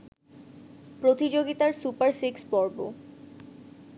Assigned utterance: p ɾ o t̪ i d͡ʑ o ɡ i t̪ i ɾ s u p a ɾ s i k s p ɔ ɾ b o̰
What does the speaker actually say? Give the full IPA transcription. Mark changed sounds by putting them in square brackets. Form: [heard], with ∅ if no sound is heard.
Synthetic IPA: p ɾ o t̪ i d͡ʑ o ɡ i t̪ [a] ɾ s u p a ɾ s i k s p ɔ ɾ b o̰